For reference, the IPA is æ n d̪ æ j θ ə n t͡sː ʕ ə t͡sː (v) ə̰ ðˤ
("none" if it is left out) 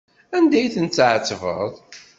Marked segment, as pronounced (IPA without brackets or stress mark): v